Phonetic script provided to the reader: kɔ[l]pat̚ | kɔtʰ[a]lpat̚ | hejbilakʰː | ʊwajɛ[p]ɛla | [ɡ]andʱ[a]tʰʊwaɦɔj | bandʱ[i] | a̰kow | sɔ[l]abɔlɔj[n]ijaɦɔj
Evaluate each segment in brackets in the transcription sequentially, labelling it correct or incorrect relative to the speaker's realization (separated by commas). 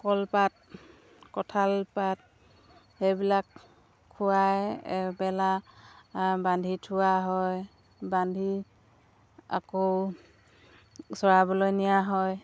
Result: correct, correct, incorrect, incorrect, incorrect, correct, incorrect, correct